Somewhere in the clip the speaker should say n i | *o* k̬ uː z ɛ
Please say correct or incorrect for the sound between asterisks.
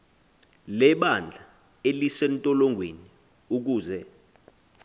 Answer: incorrect